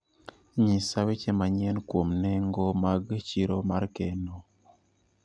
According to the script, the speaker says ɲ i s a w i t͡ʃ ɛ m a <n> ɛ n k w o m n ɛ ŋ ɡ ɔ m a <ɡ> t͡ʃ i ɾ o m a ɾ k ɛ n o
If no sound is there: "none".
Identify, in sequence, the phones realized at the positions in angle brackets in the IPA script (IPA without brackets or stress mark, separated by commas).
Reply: ɲ, ɡ